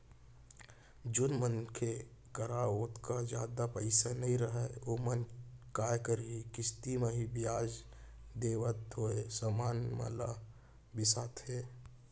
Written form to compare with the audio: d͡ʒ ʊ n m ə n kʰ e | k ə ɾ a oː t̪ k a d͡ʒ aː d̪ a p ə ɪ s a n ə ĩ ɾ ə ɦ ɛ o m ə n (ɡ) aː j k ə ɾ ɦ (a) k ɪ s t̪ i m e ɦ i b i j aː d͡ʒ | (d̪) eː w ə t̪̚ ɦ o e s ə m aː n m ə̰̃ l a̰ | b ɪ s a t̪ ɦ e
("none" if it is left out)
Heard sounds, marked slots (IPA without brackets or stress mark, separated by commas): k, i, d̪